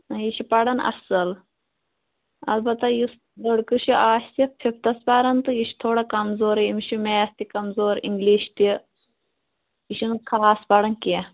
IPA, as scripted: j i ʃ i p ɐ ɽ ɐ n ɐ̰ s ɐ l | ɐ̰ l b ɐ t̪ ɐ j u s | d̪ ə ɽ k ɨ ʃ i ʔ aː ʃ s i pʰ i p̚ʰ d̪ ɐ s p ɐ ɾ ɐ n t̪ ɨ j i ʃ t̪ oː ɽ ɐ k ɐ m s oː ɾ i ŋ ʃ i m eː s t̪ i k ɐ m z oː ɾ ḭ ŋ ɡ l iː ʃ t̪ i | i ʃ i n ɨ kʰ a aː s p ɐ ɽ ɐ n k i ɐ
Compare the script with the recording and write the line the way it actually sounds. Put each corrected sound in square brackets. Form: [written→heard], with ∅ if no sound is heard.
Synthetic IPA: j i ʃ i p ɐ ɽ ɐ n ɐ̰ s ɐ l | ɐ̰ l b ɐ t̪ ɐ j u s | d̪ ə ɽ k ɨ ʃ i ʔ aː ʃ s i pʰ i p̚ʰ [d̪→t̪] ɐ s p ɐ ɾ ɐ n t̪ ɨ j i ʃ [t̪→t̪ʰ] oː ɽ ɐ k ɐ m [s→z] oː ɾ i [ŋ→m] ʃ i m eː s t̪ i k ɐ m z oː ɾ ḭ ŋ ɡ l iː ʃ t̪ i | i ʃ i n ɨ kʰ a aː s p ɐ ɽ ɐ n k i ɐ